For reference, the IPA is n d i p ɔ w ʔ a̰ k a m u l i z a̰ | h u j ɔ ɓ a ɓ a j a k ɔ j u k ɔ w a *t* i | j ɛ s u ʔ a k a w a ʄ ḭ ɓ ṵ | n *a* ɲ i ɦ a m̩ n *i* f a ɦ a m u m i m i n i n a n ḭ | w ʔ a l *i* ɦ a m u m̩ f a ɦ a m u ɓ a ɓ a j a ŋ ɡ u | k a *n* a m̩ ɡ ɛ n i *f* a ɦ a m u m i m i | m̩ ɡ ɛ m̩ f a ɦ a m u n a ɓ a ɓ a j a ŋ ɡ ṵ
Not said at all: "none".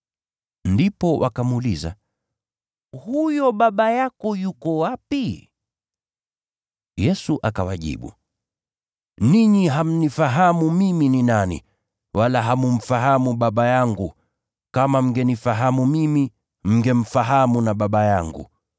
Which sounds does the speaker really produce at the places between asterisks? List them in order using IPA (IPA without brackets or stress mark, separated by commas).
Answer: p, i, i, a, m, f